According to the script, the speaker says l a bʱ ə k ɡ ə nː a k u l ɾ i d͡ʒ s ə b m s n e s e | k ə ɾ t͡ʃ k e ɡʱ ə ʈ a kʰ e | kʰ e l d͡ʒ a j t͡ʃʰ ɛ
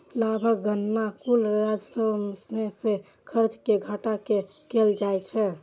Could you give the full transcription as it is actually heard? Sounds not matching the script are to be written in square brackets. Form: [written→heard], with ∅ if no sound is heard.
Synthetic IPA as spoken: l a bʱ ə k ɡ ə nː a k u l ɾ [i→a] d͡ʒ s ə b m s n e s e | [k→kʰ] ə ɾ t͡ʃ k e ɡʱ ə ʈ a [kʰ→k] e | [kʰ→k] e l d͡ʒ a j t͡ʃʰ ɛ